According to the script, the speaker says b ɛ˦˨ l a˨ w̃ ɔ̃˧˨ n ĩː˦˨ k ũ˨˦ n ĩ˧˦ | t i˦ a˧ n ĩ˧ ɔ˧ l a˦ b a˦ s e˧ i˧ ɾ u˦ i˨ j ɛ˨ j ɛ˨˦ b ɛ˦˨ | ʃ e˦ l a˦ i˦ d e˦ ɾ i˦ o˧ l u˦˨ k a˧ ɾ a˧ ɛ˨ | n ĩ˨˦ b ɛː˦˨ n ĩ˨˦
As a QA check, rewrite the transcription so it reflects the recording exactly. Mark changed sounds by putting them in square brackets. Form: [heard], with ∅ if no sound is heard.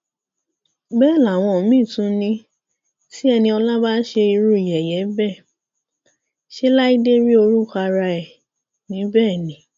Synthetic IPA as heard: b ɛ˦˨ l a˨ w̃ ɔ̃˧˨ [m] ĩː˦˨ [t] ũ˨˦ n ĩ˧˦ | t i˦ [ɛ˧] n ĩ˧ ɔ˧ l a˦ b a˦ [ʃ] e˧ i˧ ɾ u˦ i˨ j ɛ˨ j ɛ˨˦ b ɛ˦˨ | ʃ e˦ l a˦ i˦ d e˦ ɾ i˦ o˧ [ɾ] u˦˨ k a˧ ɾ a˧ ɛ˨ | n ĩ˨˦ b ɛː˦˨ n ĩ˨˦